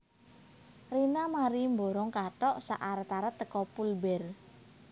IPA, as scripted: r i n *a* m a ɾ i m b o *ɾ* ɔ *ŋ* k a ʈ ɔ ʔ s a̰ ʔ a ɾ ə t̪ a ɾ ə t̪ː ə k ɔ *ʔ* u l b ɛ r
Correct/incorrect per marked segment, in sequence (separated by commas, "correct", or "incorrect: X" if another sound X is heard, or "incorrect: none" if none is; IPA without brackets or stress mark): correct, correct, correct, incorrect: p